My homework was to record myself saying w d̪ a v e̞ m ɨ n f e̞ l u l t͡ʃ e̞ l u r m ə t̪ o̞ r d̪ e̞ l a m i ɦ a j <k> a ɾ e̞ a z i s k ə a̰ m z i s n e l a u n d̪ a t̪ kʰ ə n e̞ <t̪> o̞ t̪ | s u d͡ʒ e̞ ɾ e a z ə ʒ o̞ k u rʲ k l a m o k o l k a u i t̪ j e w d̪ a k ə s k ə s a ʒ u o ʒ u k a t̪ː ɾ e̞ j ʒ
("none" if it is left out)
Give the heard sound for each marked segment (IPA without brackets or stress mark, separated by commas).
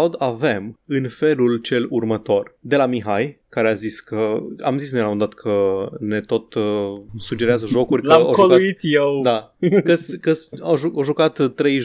k, t̪